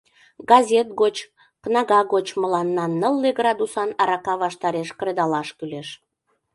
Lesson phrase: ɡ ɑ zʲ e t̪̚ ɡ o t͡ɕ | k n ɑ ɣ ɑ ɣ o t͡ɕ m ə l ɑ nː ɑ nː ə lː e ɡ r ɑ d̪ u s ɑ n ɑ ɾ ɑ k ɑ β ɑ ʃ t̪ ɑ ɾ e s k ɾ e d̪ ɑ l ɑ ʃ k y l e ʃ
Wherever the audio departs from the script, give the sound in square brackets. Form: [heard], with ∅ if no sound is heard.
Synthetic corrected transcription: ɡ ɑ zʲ e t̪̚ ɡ o t͡ɕ | k n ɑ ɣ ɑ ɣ o t͡ɕ m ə l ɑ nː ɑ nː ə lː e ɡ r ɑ d̪ u s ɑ n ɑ ɾ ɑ k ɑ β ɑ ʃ t̪ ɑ ɾ e [ʃ] k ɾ e d̪ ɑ l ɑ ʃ k y l e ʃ